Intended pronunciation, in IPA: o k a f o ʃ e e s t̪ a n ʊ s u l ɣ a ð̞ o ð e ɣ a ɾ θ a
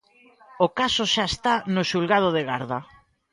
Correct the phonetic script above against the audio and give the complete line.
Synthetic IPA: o k a s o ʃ a e s t̪ a n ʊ ʃ u l ɣ a ð̞ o ð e ɣ a ɾ ð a